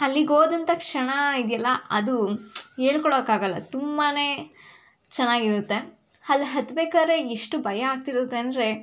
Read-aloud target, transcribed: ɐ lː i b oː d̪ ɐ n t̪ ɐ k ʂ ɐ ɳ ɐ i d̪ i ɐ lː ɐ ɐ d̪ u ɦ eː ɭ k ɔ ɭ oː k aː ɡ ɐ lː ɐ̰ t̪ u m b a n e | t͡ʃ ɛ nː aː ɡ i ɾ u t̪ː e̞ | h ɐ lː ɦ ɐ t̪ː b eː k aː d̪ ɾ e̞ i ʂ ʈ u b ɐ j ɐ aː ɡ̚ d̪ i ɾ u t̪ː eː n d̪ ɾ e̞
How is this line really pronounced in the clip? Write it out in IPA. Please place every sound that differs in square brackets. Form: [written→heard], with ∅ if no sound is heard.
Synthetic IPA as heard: ɐ lː i [b→ɡ] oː d̪ ɐ n t̪ ɐ k ʂ ɐ ɳ ɐ i d̪ [i→j] ɐ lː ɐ ɐ d̪ u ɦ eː ɭ k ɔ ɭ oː k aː ɡ ɐ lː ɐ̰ t̪ u m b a n e | t͡ʃ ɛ nː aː ɡ i ɾ u t̪ː e̞ | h ɐ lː ɦ ɐ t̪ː b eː k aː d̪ ɾ e̞ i ʂ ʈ u b ɐ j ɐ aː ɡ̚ [d̪→t̪] i ɾ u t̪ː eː n d̪ ɾ e̞